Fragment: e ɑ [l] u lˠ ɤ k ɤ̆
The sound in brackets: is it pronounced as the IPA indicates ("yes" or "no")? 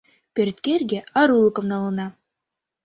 no